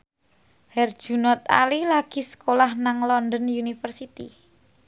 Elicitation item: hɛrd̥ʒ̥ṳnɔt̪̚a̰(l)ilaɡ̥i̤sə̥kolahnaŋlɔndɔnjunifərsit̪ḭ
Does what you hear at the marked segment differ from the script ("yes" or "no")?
no